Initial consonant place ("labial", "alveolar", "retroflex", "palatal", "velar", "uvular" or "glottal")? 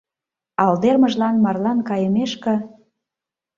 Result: alveolar